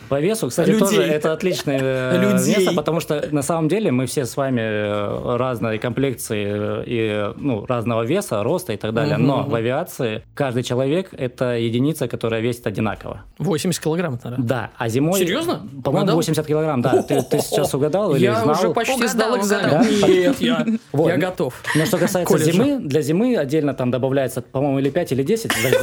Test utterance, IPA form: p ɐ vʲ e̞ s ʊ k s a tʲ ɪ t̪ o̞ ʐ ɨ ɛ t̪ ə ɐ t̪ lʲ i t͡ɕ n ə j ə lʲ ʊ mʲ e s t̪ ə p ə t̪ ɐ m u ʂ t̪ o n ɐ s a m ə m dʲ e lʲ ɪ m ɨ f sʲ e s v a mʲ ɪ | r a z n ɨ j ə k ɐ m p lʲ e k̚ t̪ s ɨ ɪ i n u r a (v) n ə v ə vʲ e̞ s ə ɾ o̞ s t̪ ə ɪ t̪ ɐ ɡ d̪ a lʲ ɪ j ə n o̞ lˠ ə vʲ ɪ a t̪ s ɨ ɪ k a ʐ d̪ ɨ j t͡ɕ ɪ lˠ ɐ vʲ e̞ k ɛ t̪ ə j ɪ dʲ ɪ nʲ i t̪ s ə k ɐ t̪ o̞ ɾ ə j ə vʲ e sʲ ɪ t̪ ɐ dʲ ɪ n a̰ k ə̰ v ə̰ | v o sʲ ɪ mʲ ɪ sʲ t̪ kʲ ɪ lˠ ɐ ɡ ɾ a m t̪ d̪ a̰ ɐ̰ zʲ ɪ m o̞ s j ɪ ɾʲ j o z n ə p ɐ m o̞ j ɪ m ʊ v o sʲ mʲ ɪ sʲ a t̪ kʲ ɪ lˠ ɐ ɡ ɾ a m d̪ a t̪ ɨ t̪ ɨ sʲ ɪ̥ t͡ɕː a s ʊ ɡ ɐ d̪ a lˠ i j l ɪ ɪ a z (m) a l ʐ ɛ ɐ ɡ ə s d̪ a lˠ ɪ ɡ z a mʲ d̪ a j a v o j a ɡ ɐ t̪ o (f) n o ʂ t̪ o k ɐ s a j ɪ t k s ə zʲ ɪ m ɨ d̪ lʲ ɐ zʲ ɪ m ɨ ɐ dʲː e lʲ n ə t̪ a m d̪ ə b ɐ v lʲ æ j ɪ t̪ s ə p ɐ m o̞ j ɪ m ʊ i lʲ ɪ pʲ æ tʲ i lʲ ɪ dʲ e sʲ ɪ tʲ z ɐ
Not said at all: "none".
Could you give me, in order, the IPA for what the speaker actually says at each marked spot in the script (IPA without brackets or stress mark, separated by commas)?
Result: z, n, f